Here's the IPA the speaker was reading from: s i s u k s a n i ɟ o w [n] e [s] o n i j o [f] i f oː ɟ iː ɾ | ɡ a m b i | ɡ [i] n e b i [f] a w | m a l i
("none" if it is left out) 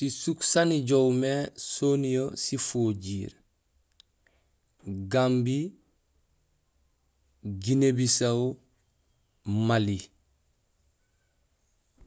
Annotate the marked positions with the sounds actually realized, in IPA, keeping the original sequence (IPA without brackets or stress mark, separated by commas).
m, s, s, i, s